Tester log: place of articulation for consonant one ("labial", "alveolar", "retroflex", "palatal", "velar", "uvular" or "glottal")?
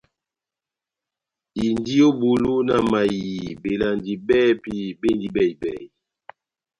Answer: alveolar